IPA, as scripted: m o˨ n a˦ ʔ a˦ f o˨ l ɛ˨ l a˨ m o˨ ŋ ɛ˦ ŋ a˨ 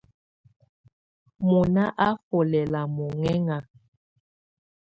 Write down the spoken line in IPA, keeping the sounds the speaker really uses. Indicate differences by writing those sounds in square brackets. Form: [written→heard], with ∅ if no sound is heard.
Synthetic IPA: m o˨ n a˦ ʔ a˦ f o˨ l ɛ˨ l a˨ m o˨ ŋ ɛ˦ ŋ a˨